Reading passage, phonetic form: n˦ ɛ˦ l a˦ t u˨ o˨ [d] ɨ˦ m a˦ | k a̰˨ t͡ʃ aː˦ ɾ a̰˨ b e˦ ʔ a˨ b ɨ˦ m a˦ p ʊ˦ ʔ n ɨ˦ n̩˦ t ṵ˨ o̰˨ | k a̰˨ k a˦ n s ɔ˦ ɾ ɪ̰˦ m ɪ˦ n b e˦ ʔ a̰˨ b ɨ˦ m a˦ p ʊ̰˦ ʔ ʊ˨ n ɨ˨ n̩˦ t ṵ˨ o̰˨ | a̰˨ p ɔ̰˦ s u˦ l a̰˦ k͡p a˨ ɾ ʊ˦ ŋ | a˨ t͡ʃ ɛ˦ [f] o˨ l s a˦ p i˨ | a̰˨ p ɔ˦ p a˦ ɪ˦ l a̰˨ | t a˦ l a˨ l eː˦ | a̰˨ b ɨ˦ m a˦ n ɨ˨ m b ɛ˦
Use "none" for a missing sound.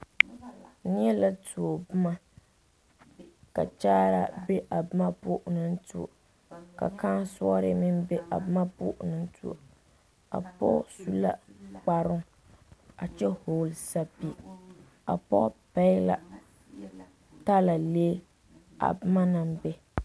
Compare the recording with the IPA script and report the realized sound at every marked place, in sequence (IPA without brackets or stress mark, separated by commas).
b, h